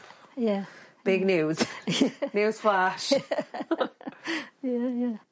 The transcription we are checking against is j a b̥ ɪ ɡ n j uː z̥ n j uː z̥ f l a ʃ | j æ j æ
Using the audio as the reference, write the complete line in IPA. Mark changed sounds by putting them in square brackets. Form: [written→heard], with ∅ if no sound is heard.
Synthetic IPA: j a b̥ ɪ ɡ n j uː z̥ n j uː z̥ f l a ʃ | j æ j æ